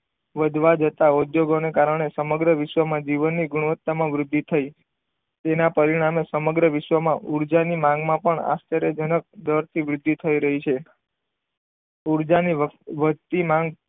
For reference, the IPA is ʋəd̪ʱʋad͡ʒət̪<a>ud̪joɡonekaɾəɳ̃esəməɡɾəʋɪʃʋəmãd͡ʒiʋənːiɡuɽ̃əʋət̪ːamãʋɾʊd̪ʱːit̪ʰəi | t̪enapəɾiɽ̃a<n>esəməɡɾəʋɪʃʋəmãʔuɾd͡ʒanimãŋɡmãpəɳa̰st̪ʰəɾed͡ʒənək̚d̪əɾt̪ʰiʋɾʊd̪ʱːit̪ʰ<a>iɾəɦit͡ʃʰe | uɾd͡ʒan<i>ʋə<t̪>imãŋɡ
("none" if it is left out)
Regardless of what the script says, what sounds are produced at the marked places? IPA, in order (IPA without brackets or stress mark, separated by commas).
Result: a, m, ə, i, t̪